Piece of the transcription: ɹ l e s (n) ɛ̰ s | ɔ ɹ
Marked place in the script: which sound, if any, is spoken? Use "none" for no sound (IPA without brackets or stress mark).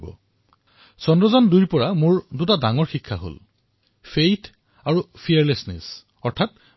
n